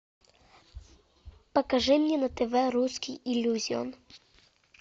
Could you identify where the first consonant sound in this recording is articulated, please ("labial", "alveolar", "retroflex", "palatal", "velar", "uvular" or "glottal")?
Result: labial